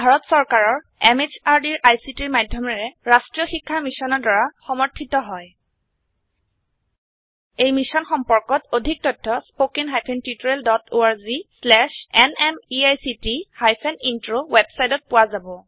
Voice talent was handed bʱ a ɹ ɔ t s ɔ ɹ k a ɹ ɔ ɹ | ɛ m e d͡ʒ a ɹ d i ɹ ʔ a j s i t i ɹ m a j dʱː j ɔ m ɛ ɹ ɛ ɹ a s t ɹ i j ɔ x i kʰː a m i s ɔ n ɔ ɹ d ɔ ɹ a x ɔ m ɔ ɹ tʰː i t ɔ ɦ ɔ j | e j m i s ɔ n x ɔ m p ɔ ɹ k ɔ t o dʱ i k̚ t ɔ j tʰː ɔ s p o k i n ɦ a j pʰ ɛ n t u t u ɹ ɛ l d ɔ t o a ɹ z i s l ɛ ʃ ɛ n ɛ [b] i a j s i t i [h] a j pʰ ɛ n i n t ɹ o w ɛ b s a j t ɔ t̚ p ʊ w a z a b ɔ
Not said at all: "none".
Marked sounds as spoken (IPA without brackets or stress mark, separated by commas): m, h